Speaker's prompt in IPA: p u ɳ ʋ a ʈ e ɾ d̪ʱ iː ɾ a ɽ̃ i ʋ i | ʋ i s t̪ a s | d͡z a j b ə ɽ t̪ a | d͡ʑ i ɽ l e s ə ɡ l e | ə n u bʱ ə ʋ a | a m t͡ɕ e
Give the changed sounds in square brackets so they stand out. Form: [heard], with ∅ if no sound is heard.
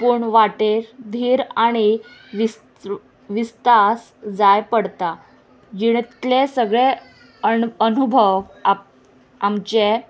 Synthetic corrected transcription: p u ɳ ʋ a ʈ e ɾ d̪ʱ iː ɾ a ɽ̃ i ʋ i | ʋ i s t̪ a s | d͡z a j [p] ə ɽ t̪ a | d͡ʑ i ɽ l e s ə ɡ [ɭ] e | ə n u bʱ ə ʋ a | a m t͡ɕ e